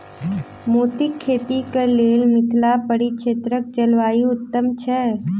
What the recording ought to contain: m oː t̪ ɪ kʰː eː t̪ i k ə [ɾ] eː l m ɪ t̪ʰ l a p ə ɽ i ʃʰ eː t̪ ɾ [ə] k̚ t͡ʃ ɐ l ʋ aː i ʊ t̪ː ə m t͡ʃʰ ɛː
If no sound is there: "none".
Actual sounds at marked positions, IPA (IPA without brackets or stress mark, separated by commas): l, ə